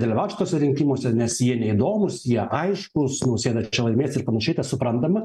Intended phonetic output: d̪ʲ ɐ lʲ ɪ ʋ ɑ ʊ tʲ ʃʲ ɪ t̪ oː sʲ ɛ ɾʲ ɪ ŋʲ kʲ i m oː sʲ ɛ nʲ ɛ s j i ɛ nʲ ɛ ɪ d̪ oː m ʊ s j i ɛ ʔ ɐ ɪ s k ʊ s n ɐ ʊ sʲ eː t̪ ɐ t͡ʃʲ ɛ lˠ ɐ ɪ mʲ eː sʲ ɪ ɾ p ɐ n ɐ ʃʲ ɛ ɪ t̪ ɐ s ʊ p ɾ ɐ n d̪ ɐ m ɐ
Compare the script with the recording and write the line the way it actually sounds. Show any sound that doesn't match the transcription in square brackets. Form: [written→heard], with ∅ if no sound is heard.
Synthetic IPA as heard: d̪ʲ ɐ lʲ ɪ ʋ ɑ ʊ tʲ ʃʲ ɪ t̪ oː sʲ ɛ ɾʲ ɪ ŋʲ kʲ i m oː sʲ ɛ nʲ ɛ s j i ɛ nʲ ɛ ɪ d̪ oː m ʊ s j i ɛ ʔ ɐ ɪ [s→ʃ] k ʊ s n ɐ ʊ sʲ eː [t̪→d̪] ɐ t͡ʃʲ ɛ lˠ ɐ ɪ mʲ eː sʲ ɪ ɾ p ɐ n ɐ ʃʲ ɛ ɪ t̪ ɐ s ʊ p ɾ ɐ n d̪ ɐ m ɐ